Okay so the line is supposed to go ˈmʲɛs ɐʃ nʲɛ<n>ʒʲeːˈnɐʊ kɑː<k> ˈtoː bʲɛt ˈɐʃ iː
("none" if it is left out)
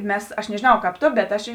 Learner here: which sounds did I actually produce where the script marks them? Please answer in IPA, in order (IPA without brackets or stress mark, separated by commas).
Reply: none, p